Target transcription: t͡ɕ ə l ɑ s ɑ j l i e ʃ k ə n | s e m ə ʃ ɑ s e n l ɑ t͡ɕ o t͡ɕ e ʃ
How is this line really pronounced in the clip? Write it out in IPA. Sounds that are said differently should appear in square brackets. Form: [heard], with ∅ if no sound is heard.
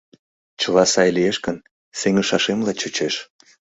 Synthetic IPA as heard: t͡ɕ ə l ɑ s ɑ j l i e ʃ k ə n | s e [ŋ] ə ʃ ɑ [ʃ] e [m] l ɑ t͡ɕ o t͡ɕ e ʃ